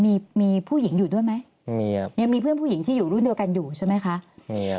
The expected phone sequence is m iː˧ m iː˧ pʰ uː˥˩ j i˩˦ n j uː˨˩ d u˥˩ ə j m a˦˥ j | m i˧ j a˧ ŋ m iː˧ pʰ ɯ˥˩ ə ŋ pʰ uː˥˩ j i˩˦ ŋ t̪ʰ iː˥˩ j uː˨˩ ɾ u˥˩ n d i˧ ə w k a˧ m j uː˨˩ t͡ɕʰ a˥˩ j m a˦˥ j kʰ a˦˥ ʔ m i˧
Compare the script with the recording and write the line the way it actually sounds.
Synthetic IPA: m iː˧ m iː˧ pʰ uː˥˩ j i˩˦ ŋ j uː˨˩ d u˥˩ ə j m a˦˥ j | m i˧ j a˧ ŋ m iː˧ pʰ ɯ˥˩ ə n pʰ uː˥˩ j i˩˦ ŋ t̪ʰ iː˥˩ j uː˨˩ ɾ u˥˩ n d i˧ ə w k a˧ n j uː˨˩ t͡ɕʰ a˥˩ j m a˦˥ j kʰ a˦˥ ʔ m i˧

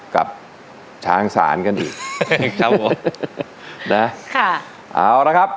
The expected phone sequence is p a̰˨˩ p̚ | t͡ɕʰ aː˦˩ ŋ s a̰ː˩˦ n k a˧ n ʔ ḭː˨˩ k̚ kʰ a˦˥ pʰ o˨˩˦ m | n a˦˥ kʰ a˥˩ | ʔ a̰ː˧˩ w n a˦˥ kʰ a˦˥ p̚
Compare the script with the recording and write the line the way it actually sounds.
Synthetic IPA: k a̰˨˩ p̚ | t͡ɕʰ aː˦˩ ŋ s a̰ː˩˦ n k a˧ n ʔ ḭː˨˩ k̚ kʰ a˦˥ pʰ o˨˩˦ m | n a˦˥ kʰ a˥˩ | ʔ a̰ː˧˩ w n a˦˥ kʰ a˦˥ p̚

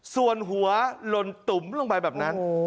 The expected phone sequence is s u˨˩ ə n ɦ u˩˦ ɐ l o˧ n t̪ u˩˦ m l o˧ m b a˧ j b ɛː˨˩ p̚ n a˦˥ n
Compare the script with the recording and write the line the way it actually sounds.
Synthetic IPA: s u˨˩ ə n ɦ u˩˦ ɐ l o˧ n t̪ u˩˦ m l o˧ ŋ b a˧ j b ɛː˨˩ p̚ n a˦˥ n

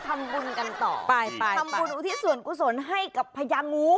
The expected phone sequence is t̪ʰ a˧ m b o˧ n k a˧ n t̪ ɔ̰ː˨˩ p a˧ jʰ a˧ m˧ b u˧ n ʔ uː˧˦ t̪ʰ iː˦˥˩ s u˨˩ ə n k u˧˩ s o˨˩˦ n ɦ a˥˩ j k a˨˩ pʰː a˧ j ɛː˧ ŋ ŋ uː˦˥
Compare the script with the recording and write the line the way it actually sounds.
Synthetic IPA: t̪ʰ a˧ m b u˧ n k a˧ n t̪ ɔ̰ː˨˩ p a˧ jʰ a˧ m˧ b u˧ n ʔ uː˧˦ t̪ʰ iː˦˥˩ s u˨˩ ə n k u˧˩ s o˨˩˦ n ɦ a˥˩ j k a˨˩ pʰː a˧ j aː˧ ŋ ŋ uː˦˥

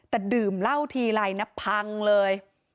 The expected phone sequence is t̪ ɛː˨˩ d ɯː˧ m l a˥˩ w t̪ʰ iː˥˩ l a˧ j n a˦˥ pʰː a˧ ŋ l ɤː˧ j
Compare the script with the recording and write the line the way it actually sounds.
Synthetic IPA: t̪ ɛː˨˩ d ɯː˨˩ m l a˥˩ w t̪ʰ iː˧ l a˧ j n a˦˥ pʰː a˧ ŋ l ɤː˧ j

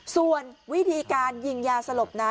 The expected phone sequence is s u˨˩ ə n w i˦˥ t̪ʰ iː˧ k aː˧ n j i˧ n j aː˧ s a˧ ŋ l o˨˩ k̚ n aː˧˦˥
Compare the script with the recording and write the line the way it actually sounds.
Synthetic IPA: s u˨˩ ə n w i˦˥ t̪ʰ iː˧ k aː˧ n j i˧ ŋ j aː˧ s a˧ l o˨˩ p̚ n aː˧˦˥

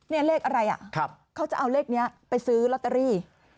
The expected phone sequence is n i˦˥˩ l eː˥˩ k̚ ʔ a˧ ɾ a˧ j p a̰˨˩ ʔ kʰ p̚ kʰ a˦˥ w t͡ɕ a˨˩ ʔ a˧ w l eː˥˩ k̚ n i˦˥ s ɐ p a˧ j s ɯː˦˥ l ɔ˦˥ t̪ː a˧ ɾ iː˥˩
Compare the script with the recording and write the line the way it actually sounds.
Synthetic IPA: n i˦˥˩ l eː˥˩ k̚ ʔ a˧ ɾ a˧ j ʔ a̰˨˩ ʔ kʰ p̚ kʰ a˦˥ w t͡ɕ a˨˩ ʔ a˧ w l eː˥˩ k̚ n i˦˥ ɐ p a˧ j s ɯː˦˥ l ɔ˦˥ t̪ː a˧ ɾ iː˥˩

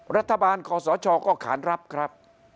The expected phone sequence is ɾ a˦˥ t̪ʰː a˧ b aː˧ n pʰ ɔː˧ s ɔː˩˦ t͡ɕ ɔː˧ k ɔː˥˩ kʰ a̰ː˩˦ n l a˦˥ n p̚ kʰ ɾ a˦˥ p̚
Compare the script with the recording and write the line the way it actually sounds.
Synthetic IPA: ɾ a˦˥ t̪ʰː a˧ b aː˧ n kʰ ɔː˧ s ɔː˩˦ t͡ɕʰ ɔː˧ k ɔː˥˩ kʰ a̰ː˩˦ n ɾ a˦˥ p̚ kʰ ɾ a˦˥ p̚

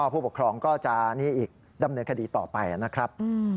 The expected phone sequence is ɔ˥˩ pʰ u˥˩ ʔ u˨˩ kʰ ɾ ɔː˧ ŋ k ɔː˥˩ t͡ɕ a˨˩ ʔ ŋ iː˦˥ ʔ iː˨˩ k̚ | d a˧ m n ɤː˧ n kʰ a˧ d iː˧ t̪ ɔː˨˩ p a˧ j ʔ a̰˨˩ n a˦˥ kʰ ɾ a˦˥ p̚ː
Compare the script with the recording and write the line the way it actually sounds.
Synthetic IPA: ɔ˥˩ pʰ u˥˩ p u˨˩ kʰ ɾ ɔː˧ ŋ k ɔː˥˩ t͡ɕ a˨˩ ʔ n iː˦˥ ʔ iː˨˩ k̚ | d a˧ m n ɤː˧ n kʰ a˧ d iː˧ t̪ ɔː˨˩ p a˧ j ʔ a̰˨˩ n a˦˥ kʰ ɾ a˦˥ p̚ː

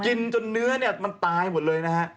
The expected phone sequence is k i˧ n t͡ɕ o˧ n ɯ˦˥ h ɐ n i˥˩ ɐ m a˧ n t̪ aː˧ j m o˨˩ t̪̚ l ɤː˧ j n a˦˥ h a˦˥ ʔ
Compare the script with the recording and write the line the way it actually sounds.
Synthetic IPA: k i˧ n t͡ɕ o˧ nː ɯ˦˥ ɐ n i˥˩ ɐ m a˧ n t̪ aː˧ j m o˨˩ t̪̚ l ɤː˧ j n a˦˥ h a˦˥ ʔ

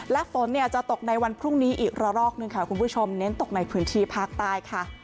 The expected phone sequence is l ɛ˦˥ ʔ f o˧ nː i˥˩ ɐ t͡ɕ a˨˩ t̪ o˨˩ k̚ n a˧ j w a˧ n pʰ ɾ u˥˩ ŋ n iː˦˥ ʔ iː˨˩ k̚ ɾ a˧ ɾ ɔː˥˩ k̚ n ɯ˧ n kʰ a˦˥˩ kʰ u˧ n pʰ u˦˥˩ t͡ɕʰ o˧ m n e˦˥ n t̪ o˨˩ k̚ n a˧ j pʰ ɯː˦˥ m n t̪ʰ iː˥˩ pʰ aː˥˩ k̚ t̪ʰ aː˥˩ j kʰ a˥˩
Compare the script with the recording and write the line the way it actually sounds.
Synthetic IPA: l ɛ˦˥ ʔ f o˩˦ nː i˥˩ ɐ t͡ɕ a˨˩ t̪ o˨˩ k̚ n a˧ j w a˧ n pʰ ɾ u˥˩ ŋ n iː˦˥ ʔ iː˨˩ k̚ ɾ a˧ ɾ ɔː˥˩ k̚ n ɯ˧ ŋ kʰ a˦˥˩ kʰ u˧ n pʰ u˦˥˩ t͡ɕʰ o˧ m n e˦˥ n t̪ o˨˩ k̚ n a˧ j pʰ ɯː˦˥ n t̪ʰ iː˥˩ pʰ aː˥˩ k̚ t̪ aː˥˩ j kʰ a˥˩

